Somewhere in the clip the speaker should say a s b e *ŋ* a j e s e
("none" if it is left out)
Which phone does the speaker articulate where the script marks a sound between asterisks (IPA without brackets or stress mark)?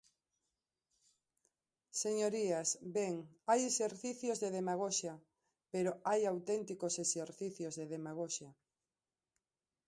ŋ